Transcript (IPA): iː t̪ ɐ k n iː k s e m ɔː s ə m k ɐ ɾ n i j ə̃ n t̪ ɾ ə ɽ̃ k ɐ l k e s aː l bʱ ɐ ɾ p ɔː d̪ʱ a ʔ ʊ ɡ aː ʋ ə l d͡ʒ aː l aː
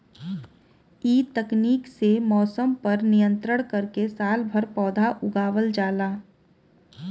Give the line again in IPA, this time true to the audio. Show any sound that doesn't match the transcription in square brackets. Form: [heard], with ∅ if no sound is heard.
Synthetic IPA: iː t̪ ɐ k n iː k s e m ɔː s ə m [p] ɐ ɾ n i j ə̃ n t̪ ɾ ə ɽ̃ k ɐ [ɾ] k e s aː l bʱ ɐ ɾ p ɔː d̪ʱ a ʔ ʊ ɡ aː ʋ ə l d͡ʒ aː l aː